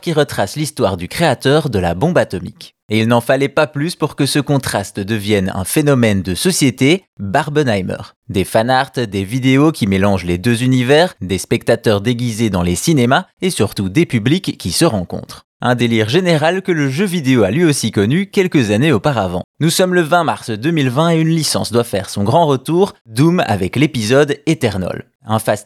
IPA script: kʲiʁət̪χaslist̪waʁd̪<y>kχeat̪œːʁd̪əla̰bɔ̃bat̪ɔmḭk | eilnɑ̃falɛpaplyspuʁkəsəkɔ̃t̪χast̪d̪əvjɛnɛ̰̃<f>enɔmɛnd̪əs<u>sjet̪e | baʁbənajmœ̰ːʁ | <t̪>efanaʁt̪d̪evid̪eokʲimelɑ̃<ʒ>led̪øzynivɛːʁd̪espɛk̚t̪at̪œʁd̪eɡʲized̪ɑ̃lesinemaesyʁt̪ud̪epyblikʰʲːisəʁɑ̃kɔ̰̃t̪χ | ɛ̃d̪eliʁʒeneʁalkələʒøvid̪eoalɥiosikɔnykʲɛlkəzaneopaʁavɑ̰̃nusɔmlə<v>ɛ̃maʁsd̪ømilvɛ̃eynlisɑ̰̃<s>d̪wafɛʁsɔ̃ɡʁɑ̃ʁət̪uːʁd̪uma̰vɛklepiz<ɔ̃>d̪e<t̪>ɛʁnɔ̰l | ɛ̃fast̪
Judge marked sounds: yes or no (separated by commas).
yes, yes, no, no, yes, yes, yes, no, yes